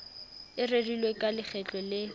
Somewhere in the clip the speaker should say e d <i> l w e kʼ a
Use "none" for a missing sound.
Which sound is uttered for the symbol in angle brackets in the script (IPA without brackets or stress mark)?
i